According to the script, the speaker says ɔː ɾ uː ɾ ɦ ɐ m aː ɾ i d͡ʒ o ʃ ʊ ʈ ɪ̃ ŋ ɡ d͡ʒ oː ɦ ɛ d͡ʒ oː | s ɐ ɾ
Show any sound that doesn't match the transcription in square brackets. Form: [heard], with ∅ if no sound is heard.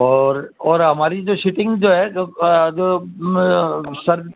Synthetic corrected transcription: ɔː ɾ [ɔː] ɾ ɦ ɐ m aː ɾ i d͡ʒ o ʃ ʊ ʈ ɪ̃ ŋ ɡ d͡ʒ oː ɦ ɛ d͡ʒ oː | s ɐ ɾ